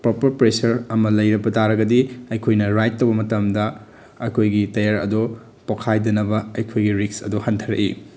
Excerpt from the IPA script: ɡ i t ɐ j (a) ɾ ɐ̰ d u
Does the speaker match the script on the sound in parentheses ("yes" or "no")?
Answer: yes